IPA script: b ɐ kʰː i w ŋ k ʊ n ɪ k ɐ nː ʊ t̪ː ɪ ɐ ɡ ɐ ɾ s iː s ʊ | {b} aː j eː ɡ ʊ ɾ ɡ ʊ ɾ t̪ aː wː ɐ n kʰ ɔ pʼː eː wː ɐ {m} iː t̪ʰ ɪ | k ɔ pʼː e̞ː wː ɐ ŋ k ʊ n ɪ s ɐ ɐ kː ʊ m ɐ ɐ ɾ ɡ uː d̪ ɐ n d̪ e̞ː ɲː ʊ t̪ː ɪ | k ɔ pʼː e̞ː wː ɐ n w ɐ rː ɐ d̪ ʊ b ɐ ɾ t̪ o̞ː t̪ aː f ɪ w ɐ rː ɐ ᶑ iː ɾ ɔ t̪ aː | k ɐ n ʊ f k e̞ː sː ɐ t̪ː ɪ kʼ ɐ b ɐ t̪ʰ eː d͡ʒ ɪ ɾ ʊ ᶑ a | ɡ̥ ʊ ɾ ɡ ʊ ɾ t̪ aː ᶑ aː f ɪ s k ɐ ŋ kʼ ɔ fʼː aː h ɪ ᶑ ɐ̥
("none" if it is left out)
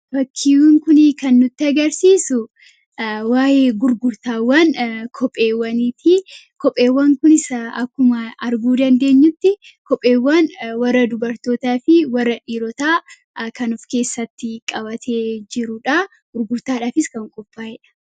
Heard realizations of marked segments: w, n

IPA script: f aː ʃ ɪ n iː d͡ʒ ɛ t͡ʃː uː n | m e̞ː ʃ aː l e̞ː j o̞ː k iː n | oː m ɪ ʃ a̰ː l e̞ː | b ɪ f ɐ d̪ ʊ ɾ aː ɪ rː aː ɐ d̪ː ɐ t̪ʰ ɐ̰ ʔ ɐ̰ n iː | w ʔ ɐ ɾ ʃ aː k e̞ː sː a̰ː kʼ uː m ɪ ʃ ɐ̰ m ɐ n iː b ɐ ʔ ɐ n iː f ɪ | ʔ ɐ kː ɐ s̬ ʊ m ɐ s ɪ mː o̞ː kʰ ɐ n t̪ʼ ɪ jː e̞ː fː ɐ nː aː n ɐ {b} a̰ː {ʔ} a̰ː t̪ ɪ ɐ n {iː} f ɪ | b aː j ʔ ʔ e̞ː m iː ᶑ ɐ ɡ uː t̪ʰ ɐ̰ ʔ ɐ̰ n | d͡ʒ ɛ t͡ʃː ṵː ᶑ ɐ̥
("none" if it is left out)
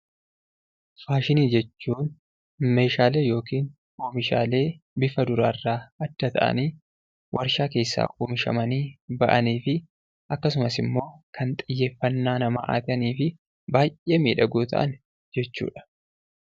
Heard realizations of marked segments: m, ʔ, iː

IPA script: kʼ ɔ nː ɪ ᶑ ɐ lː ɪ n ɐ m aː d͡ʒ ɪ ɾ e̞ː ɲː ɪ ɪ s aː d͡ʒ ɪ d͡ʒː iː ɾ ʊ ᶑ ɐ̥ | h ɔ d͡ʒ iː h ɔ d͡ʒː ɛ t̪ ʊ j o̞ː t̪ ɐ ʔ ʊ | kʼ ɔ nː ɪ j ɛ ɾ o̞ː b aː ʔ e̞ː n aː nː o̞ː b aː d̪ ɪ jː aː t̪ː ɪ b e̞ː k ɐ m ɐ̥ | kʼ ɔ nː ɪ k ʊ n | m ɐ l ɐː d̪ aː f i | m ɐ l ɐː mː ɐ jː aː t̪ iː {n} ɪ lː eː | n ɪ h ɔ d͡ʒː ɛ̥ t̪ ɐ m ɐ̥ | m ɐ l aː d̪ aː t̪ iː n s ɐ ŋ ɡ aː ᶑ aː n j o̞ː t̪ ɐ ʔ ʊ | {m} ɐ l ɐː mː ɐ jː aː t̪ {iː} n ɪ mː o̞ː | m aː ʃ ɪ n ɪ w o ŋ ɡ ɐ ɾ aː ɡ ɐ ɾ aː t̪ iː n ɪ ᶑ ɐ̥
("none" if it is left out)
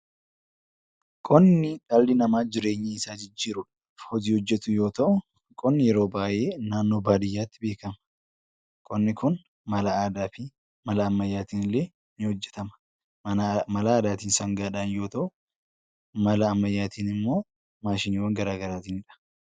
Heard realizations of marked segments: n, m, iː

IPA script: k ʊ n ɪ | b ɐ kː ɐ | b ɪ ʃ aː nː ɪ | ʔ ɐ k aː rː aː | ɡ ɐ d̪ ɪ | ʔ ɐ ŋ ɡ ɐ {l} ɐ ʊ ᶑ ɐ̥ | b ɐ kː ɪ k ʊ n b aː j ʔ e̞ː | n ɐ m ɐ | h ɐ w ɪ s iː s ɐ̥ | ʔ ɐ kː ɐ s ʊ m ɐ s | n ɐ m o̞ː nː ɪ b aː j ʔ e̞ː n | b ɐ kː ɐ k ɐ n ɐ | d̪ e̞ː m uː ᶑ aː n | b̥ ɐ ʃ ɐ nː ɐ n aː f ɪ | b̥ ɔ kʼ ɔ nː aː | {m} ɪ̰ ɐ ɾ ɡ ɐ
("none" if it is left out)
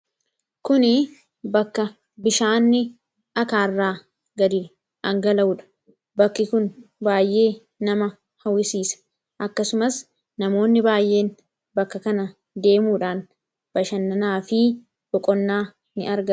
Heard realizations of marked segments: l, n

